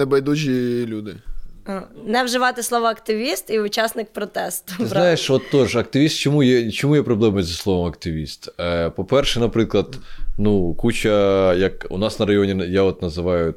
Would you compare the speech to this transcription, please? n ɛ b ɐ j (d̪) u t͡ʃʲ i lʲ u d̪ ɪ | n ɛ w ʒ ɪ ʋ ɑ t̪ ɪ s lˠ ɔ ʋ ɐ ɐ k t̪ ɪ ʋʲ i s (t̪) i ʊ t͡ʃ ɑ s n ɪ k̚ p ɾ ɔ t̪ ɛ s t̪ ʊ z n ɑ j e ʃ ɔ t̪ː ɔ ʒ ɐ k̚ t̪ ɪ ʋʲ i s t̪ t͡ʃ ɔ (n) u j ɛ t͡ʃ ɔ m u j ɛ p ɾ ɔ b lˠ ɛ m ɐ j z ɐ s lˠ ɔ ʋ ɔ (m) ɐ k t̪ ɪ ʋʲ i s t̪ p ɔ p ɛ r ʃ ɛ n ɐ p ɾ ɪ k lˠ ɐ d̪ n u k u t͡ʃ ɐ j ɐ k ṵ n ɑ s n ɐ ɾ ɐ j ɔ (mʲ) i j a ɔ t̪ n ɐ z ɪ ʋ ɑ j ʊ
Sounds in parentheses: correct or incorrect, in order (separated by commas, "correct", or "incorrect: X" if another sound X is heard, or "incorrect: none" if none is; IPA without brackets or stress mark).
correct, correct, incorrect: m, correct, incorrect: nʲ